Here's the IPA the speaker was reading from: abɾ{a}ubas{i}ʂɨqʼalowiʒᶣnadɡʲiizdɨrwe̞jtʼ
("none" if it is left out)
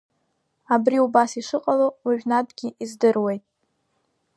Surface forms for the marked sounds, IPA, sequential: i, i

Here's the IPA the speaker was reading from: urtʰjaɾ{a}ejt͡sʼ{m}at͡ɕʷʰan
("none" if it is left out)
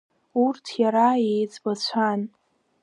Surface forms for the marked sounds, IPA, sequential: a, b

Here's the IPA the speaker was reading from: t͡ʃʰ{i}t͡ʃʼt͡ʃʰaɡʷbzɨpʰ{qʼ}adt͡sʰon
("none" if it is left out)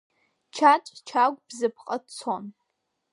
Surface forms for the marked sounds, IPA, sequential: a, qʼ

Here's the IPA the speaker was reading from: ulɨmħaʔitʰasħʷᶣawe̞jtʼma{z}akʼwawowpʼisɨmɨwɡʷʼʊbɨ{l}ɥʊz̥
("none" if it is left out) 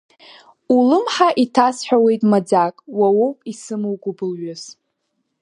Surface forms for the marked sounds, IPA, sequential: d͡z, l

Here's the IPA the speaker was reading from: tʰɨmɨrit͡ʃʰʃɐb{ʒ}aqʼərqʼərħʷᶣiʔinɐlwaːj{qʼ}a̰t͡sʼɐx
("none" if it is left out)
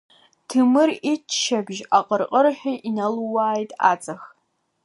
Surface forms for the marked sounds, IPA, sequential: ʒ, tʼ

